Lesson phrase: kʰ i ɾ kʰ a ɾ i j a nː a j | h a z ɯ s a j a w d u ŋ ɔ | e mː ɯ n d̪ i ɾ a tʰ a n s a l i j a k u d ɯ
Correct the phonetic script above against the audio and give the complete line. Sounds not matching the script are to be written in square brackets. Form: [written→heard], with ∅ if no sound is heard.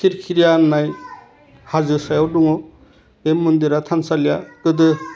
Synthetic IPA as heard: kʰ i ɾ kʰ [a→i] ɾ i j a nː a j | h a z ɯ s a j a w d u ŋ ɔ | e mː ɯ n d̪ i ɾ a tʰ a n s a l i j a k [u→ɯ] d ɯ